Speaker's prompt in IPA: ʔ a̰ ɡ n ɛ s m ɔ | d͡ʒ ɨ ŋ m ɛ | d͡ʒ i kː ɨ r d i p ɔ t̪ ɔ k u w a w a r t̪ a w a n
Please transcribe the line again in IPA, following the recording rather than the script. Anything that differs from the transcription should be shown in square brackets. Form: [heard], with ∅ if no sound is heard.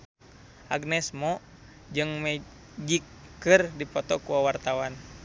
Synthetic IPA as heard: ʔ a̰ ɡ n ɛ s m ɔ | d͡ʒ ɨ ŋ m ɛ | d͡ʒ i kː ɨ r d i p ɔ t̪ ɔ k u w a w a r t̪ a w a n